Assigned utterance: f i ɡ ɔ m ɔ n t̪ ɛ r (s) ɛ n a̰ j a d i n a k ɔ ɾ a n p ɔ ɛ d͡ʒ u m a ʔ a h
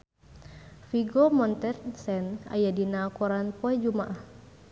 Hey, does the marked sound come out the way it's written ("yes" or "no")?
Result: yes